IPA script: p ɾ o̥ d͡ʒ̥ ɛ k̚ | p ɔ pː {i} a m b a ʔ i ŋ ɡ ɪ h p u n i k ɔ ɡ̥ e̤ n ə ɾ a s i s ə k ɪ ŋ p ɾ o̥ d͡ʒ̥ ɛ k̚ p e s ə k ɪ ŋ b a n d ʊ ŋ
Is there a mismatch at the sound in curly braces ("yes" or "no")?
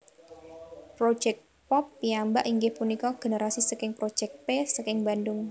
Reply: no